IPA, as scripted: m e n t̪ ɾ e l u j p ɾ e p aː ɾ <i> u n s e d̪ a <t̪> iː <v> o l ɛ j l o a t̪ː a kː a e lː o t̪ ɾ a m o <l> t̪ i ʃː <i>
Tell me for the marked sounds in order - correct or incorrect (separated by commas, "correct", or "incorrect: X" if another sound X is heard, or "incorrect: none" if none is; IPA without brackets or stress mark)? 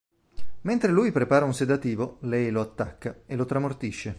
incorrect: a, correct, correct, incorrect: r, incorrect: e